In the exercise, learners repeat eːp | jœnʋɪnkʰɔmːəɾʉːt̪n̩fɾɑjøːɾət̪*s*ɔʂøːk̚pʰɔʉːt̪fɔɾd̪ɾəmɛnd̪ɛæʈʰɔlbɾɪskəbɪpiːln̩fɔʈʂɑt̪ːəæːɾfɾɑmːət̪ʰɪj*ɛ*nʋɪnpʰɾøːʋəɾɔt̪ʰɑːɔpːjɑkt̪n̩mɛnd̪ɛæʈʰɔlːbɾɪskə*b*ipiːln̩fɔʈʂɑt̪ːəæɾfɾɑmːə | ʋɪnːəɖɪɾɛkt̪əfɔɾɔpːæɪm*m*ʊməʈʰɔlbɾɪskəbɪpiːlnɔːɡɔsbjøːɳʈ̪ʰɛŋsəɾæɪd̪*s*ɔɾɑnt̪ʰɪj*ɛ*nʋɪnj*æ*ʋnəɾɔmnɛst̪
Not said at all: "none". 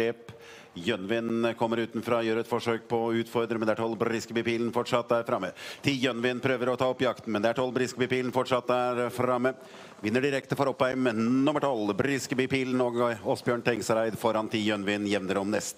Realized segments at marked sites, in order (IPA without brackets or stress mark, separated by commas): f, œ, b, n, f, œ, ɛ